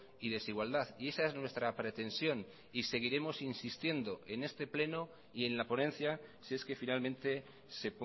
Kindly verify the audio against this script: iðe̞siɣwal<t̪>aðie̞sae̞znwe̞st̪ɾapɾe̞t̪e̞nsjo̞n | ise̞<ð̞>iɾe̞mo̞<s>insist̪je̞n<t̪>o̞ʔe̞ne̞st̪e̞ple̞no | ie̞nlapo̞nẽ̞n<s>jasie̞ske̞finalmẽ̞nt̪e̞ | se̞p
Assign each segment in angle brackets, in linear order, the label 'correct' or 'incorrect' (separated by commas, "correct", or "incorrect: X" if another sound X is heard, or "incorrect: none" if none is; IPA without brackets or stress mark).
incorrect: d̪, incorrect: ɣ̞, correct, incorrect: d̪, incorrect: θ